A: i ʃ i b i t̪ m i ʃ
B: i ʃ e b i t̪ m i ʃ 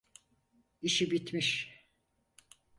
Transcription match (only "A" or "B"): A